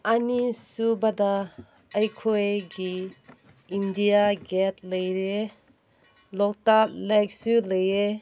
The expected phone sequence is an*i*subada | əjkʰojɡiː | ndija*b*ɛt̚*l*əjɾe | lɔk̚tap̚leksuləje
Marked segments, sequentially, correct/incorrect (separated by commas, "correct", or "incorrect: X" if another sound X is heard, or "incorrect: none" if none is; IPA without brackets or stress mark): correct, incorrect: ɡ, correct